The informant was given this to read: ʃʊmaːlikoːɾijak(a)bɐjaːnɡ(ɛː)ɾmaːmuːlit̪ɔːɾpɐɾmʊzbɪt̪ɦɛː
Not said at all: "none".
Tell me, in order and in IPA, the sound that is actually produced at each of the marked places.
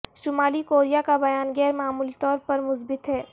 a, ɛː

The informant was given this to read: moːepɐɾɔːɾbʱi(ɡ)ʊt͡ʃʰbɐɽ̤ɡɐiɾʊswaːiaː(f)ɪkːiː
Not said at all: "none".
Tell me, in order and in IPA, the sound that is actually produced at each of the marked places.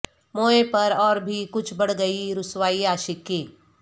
k, ʃ

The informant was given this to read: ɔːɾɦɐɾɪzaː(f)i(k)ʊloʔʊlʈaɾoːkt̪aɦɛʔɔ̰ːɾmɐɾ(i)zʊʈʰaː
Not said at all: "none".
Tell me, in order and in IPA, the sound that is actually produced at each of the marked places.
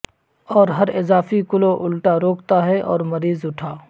f, k, iː

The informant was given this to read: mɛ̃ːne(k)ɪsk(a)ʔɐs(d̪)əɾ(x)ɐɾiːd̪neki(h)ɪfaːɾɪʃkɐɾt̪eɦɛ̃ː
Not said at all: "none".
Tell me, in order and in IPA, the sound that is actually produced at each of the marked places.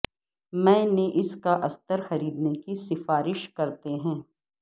ʔ, a, t̪, x, s

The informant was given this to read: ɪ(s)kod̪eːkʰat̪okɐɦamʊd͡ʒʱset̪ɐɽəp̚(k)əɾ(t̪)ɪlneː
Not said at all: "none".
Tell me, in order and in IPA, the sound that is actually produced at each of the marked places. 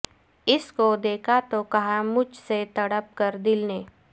s, k, d̪

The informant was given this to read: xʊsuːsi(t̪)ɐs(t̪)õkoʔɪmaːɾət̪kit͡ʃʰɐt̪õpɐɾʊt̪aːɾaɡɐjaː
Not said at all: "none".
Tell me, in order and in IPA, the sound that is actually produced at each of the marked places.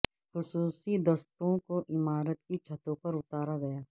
d̪, t̪

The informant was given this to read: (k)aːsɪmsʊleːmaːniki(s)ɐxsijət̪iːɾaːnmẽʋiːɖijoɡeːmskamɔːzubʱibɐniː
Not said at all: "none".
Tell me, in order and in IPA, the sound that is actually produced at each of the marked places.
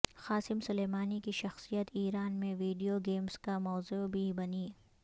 x, ʃ

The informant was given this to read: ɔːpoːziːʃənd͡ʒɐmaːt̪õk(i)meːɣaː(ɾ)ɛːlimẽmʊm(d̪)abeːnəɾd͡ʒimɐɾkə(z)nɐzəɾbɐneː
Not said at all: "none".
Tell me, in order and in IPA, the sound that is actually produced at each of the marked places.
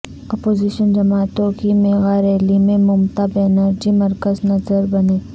i, ɾ, t̪, z

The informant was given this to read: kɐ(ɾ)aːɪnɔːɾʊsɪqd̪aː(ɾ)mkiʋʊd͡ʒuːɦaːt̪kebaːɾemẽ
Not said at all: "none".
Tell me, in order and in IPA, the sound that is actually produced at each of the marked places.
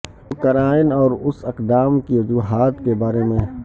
ɾ, none

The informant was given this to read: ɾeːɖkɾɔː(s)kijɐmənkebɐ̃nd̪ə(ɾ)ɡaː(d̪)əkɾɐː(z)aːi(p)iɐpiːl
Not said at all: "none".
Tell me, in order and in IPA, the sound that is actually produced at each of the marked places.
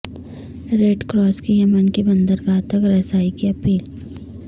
s, ɾ, t̪, s, k

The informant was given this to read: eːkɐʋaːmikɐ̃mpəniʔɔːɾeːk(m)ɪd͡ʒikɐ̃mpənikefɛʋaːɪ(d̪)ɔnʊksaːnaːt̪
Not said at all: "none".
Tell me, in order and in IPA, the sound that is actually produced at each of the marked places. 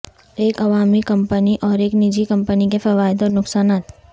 n, d̪

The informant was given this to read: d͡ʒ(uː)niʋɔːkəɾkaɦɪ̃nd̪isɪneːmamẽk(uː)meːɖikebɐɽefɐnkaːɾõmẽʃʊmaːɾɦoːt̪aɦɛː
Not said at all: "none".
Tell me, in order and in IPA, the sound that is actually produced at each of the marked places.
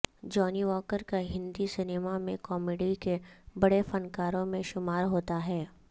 ɔː, ɔː

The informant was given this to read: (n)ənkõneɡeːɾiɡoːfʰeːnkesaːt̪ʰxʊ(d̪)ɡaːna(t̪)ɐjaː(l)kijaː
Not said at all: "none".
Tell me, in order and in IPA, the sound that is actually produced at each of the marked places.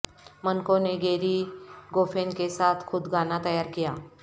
m, d̪, t̪, ɾ

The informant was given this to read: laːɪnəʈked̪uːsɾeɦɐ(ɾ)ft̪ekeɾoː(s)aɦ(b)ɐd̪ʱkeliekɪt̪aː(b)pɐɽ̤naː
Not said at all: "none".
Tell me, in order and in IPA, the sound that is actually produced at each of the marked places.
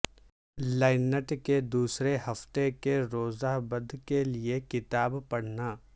none, z, b, b

